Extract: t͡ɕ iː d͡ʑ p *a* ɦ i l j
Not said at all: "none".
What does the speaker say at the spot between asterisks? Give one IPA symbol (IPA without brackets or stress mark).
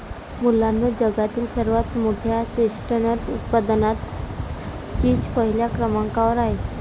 ə